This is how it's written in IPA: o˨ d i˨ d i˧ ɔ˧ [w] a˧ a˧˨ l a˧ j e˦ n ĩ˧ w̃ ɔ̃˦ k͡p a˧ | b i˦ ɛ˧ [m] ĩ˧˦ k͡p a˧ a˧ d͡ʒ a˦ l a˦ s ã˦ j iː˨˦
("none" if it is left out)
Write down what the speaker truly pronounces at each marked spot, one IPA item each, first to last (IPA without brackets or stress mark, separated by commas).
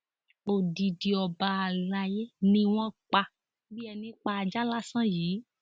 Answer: b, n